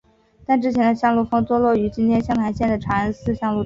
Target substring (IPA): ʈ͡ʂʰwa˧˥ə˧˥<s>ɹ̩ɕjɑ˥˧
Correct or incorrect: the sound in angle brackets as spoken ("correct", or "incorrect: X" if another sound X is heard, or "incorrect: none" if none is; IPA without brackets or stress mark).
correct